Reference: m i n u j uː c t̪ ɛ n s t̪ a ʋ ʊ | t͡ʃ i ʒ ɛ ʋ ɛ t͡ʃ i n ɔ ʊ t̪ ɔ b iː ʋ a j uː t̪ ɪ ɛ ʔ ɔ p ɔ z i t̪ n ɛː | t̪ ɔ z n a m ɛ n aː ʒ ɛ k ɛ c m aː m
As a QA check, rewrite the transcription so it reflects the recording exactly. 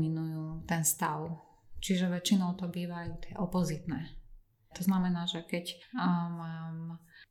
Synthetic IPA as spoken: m i n u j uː t̪ ɛ n s t̪ a ʊ | t͡ʃ i ʒ ɛ ʋ ɛ t͡ʃ i n ɔ ʊ t̪ ɔ b iː ʋ a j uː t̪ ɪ ɛ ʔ ɔ p ɔ z i t̪ n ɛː | t̪ ɔ z n a m ɛ n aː ʒ ɛ k ɛ c m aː m